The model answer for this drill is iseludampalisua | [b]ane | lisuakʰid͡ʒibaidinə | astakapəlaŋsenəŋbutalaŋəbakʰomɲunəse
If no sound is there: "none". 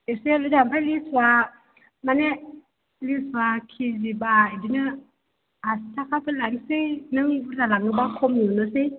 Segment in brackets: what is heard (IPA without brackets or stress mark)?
m